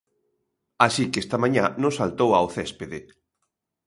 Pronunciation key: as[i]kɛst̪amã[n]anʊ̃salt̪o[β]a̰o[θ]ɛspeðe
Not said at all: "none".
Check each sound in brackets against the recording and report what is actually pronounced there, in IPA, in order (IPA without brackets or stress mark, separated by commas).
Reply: i, ɲ, w, θ